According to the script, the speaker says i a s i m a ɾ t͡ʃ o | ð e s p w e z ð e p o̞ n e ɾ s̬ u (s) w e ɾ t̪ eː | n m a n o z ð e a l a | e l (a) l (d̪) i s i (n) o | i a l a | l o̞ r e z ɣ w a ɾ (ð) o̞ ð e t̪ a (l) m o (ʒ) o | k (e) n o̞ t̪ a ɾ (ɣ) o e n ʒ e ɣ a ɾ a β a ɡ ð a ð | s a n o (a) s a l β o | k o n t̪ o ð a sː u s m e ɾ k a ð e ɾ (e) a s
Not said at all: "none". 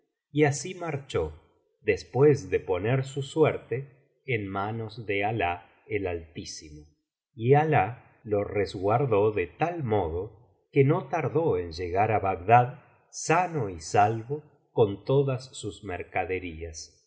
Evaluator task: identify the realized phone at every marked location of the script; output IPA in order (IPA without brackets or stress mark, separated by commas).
s, a, t̪, m, ð, l, ð, e, ð, i, i